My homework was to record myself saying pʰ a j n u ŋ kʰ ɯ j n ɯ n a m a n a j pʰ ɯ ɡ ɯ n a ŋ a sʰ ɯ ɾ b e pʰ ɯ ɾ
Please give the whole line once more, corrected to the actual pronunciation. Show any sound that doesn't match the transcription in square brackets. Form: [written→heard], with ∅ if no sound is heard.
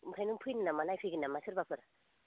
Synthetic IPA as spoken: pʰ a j n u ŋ [kʰ→pʰ] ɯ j n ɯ n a m a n a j pʰ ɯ ɡ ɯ n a [ŋ→m] a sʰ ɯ ɾ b [e→a] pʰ ɯ ɾ

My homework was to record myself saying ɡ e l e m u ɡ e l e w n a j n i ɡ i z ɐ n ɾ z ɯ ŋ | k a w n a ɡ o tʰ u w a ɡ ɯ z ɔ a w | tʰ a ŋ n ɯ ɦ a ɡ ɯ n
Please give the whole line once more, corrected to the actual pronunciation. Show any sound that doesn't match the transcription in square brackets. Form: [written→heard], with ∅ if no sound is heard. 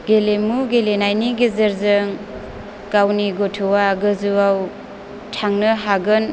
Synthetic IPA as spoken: ɡ e l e m u ɡ e l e [w→∅] n a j n i ɡ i z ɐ [n→∅] ɾ z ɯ ŋ | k a w n [a→i] ɡ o tʰ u w a ɡ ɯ z [ɔ→u] a w | tʰ a ŋ n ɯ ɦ a ɡ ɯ n

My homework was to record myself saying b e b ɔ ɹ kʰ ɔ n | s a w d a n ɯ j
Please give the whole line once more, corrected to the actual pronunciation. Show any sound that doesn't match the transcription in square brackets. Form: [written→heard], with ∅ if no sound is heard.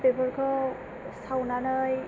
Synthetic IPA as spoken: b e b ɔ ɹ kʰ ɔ [n→∅] | s a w [d→n] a n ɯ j

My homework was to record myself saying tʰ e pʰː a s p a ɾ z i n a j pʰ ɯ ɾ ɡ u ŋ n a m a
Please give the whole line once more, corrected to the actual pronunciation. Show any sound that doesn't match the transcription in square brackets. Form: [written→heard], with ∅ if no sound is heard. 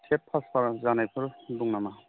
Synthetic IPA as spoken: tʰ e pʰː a s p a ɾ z [i→a] n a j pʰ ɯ ɾ [ɡ→d] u ŋ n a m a

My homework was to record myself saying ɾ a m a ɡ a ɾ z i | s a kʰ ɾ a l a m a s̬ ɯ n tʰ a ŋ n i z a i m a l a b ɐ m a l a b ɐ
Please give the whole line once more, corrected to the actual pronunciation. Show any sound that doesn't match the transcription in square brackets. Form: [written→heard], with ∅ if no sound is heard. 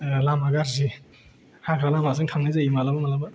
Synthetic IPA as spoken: [ɾ→l] a m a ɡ a ɾ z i | [s→h] a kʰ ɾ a l a m a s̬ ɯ [n→ŋ] tʰ a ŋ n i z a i m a l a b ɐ m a l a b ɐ

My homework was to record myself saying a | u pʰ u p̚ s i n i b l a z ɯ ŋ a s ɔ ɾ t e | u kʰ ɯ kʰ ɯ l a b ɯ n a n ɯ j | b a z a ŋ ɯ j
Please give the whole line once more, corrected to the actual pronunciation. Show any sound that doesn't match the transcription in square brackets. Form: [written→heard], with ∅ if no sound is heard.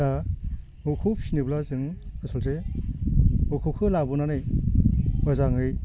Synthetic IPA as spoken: a | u [pʰ→kʰ] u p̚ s i n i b l a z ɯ ŋ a s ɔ [ɾ→l] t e | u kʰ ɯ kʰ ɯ l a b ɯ n a n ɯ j | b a z a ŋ ɯ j

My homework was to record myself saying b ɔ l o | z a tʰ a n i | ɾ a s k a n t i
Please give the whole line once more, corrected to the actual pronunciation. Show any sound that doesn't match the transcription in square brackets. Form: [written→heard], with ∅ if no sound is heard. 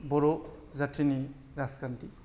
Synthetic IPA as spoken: b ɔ [l→ɾ] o | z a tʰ [a→i] n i | ɾ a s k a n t i

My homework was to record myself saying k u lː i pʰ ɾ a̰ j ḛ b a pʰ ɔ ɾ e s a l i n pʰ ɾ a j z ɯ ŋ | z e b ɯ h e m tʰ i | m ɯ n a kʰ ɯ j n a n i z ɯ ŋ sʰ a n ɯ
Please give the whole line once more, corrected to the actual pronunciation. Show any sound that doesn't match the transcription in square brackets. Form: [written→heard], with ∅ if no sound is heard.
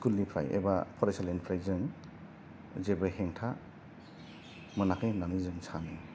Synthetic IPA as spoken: k u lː i pʰ ɾ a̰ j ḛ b a pʰ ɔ ɾ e s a l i n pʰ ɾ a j z ɯ ŋ | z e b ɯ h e [m→ŋ] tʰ [i→a] | m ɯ n a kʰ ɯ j n a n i z ɯ ŋ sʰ a n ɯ

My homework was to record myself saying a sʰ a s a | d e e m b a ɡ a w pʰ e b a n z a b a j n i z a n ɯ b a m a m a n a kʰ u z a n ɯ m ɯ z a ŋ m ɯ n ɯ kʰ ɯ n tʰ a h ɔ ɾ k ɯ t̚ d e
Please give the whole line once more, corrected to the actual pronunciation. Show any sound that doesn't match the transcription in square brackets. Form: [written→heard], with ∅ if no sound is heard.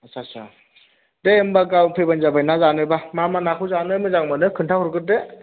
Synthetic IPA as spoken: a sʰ a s a | d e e m b a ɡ a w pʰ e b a n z a b a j n [i→a] z a n ɯ b a m a m a n a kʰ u z a n ɯ m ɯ z a ŋ m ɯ n ɯ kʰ ɯ n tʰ a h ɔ ɾ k ɯ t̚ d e

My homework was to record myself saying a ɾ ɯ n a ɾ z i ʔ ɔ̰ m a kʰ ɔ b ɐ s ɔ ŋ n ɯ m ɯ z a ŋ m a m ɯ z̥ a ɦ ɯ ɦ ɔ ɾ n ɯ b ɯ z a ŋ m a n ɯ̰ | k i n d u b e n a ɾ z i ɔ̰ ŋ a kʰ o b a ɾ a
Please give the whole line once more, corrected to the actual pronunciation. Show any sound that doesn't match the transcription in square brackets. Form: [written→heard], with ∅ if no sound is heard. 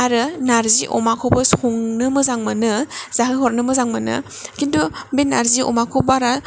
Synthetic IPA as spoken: a ɾ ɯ n a ɾ z i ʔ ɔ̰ m a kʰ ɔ b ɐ s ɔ ŋ n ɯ m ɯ z a ŋ m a [m→n] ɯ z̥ a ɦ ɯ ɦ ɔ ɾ n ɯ [b→m] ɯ z a ŋ m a n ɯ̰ | k i n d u b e n a ɾ z i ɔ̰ [ŋ→m] a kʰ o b a ɾ a

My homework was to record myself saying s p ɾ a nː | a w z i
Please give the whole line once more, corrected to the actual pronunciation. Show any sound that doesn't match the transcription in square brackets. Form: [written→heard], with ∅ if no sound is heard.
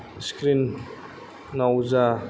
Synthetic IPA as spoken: s [p→k] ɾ [a→i] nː | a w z [i→a]

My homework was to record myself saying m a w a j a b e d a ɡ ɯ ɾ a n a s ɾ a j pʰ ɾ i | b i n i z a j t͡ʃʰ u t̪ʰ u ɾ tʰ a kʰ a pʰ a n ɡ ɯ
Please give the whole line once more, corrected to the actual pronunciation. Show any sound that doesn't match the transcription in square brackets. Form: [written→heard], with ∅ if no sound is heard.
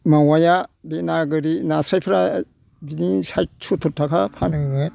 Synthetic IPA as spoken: m a w a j a b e [d→n] a ɡ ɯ ɾ [a→i] n a s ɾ a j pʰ ɾ [i→a] | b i n i [z→s] a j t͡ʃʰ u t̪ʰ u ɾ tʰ a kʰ a pʰ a n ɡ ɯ

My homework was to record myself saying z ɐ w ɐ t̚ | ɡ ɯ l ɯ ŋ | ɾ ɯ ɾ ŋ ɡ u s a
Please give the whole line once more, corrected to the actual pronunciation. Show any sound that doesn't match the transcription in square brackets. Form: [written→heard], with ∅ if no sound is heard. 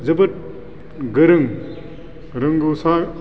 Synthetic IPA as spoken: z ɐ [w→b] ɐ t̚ | ɡ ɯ [l→ɾ] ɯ ŋ | ɾ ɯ [ɾ→∅] ŋ ɡ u s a

